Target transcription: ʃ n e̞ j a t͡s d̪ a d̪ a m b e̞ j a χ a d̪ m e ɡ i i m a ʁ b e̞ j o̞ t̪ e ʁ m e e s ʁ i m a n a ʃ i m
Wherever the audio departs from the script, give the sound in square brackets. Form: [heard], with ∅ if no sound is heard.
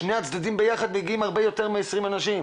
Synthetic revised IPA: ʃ n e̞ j a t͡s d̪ a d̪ [i] m b e̞ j a χ a d̪ m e ɡ i i m a ʁ b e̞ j o̞ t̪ e ʁ m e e s ʁ i m a n a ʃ i m